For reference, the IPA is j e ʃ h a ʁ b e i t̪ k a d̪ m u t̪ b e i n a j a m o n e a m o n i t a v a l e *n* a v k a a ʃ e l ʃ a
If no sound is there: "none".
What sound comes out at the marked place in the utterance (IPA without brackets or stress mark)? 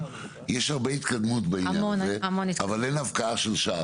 n